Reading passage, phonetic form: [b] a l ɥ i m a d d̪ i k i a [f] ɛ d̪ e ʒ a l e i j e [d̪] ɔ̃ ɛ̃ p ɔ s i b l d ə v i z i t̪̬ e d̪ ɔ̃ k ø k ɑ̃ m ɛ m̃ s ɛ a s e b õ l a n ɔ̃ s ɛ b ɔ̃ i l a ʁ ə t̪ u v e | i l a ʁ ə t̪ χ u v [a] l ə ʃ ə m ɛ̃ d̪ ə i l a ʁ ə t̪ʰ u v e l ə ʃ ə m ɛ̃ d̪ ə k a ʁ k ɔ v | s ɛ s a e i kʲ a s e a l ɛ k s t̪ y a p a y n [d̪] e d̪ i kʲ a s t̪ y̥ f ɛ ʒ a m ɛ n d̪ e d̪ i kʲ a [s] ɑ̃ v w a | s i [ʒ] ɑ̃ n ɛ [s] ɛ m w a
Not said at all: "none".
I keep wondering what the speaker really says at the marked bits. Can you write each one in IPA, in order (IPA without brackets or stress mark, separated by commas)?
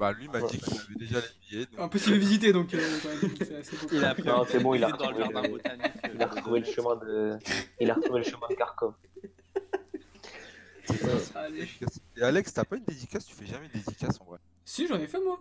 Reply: b, v, d̪, e, d̪, s, ʒ, f